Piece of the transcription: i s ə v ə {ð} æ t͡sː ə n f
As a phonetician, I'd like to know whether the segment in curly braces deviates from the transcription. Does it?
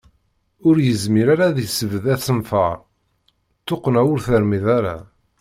no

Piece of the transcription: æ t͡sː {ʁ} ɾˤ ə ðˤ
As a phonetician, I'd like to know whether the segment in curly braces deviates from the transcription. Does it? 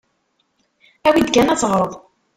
no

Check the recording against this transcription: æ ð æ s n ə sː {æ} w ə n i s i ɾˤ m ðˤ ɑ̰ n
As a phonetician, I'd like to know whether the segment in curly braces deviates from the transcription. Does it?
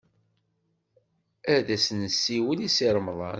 yes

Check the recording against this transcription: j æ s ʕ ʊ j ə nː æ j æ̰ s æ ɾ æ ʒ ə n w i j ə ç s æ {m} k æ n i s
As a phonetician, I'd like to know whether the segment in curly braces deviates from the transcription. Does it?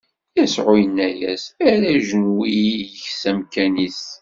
no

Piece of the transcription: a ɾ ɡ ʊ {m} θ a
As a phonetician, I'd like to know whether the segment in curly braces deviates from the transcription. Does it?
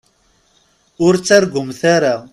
no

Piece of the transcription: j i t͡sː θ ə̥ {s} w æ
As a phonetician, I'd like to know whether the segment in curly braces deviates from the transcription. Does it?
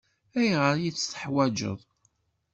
yes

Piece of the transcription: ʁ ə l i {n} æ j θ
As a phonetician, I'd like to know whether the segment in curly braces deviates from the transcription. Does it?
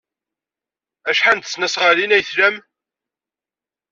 no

